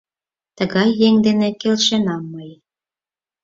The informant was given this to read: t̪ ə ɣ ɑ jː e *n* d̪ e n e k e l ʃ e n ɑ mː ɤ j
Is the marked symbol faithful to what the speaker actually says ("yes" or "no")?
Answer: no